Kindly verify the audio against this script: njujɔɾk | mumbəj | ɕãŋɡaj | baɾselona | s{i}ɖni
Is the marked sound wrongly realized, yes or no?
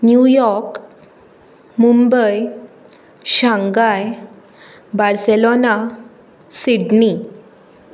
no